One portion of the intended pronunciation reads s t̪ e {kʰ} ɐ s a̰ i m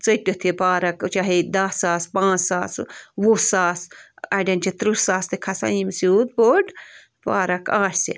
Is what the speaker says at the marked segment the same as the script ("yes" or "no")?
yes